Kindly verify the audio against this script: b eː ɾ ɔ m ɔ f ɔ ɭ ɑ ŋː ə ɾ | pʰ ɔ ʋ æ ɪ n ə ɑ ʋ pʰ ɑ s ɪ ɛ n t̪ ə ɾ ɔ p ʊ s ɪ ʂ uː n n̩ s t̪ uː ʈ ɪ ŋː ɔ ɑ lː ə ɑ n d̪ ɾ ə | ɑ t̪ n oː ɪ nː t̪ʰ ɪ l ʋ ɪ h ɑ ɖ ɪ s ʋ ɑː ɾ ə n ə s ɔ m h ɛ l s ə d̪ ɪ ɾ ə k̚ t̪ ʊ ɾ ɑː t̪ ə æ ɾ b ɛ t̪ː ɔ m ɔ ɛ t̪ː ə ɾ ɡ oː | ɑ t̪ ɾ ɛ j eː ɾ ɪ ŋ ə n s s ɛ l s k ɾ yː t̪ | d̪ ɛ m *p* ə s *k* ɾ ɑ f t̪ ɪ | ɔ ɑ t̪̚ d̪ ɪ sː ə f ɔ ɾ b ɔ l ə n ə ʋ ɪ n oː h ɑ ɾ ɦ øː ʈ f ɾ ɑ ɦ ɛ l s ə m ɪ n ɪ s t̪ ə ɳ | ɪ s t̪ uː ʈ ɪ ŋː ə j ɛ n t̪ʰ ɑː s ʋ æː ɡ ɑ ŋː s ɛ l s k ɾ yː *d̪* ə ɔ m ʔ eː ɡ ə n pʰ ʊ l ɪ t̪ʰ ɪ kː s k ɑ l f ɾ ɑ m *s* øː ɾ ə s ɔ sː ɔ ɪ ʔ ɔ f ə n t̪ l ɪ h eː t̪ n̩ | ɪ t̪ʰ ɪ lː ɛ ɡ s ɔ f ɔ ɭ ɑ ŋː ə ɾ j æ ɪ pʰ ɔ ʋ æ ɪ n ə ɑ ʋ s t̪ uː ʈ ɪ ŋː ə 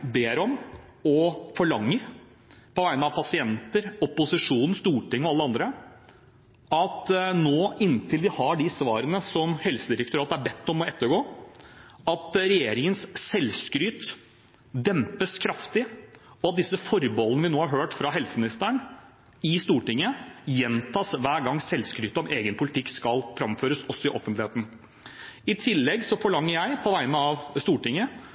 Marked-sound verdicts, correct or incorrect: correct, incorrect, incorrect, incorrect

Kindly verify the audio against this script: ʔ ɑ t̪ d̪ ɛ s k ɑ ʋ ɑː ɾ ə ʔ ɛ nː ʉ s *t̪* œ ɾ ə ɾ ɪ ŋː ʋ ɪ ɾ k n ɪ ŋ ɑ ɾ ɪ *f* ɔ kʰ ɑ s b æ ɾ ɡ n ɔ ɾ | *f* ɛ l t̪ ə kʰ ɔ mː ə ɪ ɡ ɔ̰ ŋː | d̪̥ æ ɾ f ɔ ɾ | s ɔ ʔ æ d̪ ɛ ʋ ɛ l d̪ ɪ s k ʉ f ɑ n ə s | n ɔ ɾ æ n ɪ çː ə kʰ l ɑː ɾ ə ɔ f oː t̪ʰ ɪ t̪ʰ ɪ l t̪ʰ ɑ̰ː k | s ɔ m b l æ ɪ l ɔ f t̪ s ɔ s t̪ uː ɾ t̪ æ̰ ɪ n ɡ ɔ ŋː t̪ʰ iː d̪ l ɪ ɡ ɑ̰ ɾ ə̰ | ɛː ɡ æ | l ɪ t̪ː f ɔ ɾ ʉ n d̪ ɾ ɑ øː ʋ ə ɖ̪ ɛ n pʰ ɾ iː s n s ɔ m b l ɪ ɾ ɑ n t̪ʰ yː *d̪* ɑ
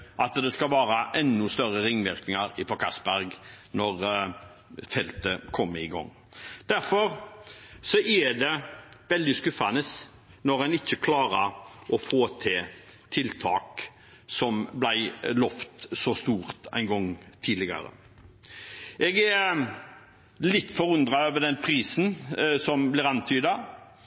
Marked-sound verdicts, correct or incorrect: correct, correct, correct, correct

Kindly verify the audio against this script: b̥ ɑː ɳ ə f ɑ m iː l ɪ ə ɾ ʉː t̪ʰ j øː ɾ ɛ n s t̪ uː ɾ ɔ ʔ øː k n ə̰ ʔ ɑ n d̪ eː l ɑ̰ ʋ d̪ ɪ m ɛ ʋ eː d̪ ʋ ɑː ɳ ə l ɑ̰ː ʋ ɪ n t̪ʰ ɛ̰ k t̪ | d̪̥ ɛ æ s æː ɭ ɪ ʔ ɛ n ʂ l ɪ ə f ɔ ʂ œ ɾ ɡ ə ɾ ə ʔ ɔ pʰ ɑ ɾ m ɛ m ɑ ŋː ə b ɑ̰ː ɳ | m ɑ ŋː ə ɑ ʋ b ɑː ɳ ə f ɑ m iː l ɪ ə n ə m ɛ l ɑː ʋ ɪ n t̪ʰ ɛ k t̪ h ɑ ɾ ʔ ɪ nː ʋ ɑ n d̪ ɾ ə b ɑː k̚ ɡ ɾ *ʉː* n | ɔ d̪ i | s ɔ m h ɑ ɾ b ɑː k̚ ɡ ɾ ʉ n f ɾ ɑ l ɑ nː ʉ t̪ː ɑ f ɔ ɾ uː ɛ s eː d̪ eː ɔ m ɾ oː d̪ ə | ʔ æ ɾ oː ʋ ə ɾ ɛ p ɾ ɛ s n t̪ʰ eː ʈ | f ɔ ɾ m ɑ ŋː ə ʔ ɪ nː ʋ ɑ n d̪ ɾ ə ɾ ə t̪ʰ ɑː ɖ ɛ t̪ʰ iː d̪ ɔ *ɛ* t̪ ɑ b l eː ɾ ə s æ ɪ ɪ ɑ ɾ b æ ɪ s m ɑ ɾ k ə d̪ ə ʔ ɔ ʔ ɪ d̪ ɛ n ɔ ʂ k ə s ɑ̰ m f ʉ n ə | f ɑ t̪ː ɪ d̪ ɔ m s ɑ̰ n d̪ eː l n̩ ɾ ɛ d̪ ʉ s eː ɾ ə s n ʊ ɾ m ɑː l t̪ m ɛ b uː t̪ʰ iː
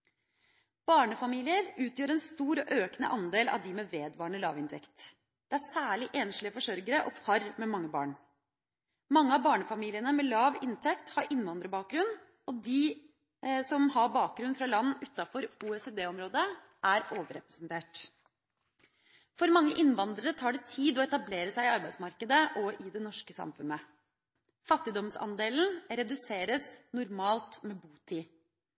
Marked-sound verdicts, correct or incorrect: incorrect, correct

